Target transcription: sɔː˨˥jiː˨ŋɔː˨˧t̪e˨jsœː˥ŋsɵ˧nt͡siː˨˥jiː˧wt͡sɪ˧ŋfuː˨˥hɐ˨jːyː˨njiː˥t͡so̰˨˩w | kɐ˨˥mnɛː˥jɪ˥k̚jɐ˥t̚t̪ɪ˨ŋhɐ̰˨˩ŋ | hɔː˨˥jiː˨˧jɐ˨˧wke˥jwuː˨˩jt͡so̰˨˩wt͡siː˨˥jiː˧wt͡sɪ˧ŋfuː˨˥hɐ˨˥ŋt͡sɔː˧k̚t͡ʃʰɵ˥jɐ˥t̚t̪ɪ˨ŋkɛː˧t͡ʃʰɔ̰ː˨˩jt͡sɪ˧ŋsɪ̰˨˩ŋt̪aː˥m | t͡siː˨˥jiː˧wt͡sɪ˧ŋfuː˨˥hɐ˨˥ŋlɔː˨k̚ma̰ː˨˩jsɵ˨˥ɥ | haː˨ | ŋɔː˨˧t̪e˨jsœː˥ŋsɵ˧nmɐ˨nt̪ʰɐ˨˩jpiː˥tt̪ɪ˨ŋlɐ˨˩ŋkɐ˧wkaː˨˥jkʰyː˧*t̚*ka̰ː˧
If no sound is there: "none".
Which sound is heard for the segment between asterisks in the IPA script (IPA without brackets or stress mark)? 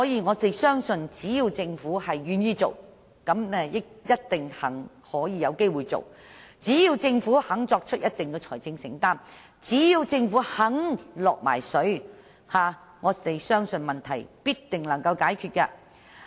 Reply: t̚